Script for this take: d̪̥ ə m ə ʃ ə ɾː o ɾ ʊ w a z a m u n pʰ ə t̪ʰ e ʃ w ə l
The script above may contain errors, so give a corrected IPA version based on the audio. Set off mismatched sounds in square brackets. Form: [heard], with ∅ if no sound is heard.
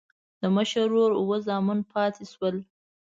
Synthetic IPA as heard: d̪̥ ə m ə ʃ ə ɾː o ɾ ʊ w [ə] z [ɑ] m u n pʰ [ɑ] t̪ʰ e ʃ w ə l